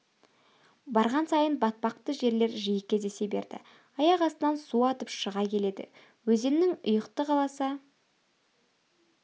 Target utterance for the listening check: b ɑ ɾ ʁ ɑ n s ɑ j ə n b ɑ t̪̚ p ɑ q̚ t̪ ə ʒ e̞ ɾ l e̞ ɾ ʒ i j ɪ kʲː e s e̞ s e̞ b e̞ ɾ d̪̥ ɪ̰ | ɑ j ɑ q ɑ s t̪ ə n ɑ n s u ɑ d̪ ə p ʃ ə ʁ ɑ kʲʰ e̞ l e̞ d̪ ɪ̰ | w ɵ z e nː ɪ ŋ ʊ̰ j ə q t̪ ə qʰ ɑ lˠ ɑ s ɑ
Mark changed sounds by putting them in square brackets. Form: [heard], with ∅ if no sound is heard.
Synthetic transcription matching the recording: b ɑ ɾ ʁ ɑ n s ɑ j ə n b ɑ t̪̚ p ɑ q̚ t̪ ə ʒ e̞ ɾ l e̞ ɾ ʒ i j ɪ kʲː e [z] e̞ s e̞ b e̞ ɾ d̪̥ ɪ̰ | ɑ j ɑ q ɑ s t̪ ə n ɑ n s u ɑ [t̪] ə p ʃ ə ʁ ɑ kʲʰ e̞ l e̞ d̪ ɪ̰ | w ɵ z e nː ɪ ŋ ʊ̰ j ə q t̪ ə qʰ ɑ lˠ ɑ s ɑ